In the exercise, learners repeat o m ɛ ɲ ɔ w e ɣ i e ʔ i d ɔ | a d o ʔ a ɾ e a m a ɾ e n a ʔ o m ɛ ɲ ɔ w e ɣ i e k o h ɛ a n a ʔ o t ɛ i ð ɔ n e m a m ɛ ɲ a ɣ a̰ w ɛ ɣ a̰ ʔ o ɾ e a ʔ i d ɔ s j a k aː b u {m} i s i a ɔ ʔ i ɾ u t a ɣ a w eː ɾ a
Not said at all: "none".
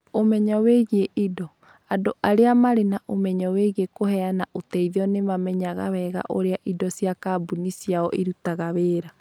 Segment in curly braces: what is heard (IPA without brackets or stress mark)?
n